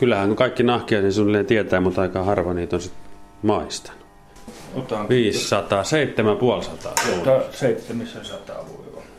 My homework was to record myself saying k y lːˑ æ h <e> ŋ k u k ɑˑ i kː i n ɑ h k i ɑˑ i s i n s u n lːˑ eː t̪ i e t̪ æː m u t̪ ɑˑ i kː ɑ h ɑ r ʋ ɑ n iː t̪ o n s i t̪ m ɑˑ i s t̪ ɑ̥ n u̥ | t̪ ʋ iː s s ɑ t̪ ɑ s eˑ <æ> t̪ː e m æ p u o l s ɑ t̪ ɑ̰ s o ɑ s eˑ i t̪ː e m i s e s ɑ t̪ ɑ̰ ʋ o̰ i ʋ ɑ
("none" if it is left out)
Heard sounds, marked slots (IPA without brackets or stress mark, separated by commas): æ, i